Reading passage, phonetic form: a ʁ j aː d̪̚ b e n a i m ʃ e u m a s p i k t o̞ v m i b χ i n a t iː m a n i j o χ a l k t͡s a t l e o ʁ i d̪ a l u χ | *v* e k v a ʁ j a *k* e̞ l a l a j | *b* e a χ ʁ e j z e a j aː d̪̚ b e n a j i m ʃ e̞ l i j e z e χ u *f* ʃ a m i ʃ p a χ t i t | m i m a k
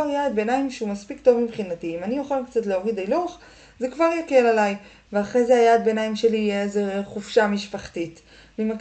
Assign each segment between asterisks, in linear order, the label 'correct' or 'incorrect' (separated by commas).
incorrect, correct, incorrect, correct